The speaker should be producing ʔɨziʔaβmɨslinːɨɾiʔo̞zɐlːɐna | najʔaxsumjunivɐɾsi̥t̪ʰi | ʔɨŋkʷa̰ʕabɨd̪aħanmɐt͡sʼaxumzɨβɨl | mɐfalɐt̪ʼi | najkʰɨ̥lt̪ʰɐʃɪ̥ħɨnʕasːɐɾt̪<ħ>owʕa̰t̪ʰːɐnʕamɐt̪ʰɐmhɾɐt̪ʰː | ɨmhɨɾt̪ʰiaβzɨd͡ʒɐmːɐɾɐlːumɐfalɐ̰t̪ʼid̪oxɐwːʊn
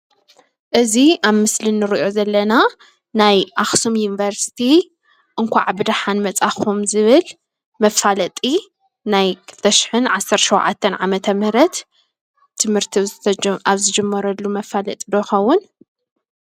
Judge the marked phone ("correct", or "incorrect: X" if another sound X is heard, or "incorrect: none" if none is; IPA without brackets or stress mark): incorrect: ʃ